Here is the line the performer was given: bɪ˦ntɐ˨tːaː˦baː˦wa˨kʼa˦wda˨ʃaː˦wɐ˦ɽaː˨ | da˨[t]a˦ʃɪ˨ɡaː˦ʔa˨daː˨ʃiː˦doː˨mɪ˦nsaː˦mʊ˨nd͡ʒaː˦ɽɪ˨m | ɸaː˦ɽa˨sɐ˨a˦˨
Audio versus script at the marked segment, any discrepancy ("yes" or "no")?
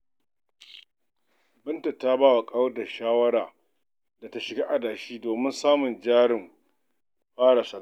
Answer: no